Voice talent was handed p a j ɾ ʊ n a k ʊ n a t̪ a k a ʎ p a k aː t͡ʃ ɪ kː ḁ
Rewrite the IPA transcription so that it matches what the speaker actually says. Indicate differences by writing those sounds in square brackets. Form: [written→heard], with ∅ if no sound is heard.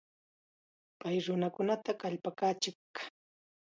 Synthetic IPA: p a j ɾ ʊ n a k ʊ n a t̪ a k a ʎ p a k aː t͡ʃ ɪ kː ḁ